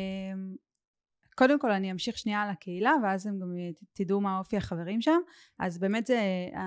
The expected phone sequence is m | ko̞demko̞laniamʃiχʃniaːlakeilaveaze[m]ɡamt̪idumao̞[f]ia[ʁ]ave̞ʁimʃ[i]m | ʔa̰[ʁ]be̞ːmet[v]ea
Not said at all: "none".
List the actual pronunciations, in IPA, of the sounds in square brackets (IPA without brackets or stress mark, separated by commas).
m, f, χ, a, z, z